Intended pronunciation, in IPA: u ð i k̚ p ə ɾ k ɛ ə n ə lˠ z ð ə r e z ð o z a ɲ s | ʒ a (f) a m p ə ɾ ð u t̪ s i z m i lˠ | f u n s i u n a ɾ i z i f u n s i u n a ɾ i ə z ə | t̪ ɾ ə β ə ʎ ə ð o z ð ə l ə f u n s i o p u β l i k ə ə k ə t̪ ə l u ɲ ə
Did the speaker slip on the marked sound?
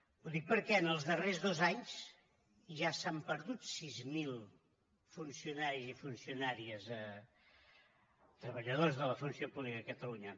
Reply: yes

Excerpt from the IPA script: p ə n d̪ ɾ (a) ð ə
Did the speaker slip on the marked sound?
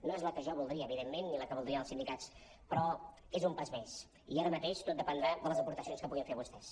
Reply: no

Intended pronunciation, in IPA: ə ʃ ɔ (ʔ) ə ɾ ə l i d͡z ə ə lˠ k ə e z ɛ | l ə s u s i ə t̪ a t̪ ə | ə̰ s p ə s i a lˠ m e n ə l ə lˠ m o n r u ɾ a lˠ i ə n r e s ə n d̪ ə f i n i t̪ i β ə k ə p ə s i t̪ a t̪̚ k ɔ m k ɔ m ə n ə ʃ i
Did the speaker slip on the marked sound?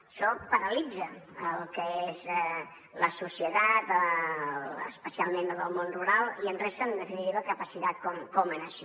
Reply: yes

